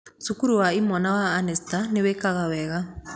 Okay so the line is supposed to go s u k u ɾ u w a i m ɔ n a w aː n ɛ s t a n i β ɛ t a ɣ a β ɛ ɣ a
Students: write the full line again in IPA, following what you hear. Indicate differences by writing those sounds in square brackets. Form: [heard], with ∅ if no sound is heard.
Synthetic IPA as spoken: s u k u ɾ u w a i m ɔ n a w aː n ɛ s t a n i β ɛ [k] a ɣ a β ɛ ɣ a